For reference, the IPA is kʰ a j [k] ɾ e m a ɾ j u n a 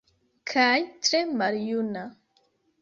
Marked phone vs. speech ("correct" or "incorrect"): incorrect